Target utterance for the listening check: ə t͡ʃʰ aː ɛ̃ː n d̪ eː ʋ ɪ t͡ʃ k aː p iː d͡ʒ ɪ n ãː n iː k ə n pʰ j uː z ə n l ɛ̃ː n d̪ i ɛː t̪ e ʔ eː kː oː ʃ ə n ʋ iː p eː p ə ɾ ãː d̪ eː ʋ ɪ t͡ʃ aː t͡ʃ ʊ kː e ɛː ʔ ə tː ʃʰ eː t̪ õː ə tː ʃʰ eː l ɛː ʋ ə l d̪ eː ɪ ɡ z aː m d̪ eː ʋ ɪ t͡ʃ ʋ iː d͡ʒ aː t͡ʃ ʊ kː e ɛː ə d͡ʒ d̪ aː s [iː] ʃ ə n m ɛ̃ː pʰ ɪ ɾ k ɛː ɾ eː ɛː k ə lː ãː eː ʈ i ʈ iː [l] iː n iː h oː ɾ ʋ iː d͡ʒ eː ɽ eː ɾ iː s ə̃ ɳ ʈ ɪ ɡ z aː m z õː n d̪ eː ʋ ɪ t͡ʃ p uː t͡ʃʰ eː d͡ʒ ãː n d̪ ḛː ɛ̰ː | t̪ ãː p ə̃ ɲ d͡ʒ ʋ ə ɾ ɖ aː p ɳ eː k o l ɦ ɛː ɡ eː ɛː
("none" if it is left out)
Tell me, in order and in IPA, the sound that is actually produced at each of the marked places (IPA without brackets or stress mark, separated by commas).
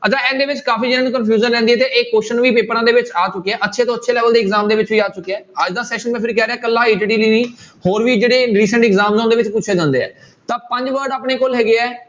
ɛː, l